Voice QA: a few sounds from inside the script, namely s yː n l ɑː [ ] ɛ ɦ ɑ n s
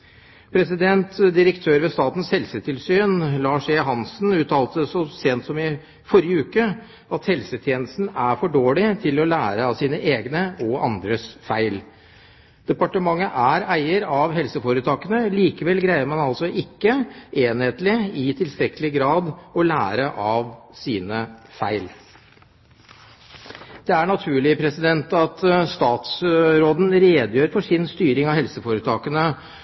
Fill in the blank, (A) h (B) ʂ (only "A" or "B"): B